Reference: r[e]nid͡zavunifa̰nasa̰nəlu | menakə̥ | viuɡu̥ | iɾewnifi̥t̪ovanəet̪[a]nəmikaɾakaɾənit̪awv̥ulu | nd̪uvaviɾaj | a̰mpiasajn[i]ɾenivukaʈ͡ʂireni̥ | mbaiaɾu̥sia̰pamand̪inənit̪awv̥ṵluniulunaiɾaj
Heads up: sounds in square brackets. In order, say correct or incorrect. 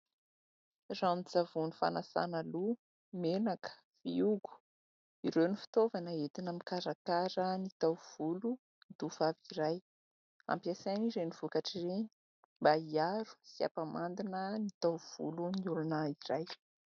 incorrect, incorrect, correct

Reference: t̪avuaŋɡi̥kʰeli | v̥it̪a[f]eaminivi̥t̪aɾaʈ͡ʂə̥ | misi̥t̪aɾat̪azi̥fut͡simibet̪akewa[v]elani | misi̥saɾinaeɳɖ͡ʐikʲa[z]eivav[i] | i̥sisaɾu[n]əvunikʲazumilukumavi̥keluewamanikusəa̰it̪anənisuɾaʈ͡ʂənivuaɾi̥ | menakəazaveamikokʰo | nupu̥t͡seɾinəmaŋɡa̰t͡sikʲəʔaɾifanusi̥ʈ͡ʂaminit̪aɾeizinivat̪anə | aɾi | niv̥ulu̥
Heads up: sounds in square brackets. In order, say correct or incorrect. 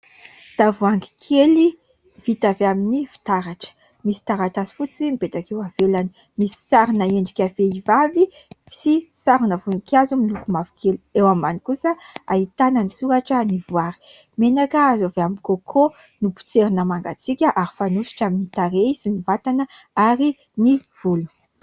incorrect, correct, incorrect, correct, correct

